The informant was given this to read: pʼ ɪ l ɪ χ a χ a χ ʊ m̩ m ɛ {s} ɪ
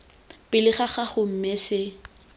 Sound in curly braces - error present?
no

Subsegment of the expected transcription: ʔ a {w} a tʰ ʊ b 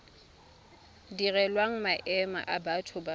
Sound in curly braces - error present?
yes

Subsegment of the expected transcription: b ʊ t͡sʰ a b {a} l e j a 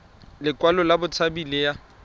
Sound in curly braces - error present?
yes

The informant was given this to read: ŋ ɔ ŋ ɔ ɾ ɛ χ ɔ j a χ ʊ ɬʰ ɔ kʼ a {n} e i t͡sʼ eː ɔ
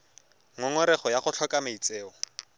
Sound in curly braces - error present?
yes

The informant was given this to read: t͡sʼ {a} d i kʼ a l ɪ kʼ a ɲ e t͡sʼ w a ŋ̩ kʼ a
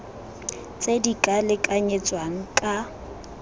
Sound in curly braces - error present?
yes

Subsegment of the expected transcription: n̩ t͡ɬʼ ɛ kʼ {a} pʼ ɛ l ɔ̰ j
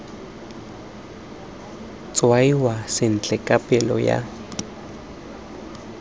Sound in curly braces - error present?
no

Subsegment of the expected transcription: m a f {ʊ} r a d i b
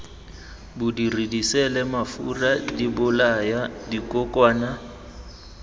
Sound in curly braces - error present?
yes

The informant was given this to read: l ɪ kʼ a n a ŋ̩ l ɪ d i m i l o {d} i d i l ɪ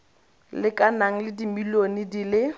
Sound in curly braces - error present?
yes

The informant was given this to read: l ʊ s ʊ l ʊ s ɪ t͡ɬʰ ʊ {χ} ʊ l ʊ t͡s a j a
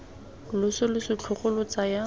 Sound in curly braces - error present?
no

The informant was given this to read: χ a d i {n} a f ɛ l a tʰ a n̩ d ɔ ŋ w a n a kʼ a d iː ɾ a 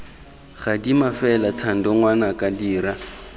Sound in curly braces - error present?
yes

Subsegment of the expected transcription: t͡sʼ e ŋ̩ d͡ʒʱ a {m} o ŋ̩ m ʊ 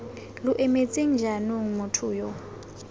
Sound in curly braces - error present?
yes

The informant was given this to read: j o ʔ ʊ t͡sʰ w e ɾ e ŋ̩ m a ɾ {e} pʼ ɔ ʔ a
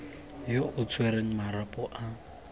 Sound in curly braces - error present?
yes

